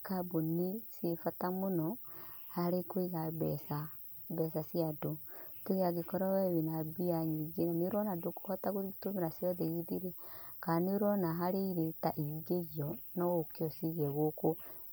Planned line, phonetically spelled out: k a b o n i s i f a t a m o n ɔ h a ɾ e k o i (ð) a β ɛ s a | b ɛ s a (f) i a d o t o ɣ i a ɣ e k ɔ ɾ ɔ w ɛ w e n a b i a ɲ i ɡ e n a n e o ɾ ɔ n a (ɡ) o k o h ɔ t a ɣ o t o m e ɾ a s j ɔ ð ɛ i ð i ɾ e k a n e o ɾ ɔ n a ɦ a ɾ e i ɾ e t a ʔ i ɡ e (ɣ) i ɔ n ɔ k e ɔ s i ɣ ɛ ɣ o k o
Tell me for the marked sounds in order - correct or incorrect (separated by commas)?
incorrect, incorrect, incorrect, correct